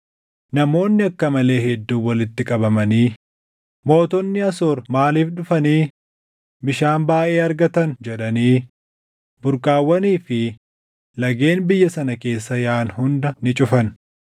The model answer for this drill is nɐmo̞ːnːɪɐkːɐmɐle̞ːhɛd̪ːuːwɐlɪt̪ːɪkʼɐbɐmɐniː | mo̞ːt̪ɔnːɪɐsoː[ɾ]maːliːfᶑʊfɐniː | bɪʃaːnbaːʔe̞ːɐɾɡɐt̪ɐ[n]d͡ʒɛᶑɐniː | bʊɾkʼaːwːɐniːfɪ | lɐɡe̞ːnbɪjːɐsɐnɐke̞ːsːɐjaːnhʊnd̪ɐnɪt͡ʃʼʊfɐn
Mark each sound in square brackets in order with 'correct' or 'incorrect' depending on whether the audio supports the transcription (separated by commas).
correct, correct